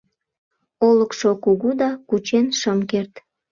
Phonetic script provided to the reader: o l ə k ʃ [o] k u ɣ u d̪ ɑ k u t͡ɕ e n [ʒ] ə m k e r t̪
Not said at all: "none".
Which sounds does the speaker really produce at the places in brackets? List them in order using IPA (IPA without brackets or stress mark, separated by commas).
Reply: o, ʃ